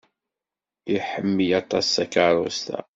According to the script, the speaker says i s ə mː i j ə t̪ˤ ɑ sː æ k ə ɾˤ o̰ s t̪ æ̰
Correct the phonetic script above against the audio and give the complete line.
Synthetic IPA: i ħ ə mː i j ɑ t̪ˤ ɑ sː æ k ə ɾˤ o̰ s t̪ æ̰